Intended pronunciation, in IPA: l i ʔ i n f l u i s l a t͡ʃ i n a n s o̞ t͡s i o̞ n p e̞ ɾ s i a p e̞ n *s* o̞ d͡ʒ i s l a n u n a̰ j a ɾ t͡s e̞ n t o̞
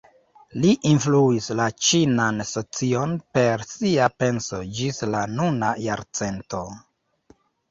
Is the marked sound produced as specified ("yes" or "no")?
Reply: yes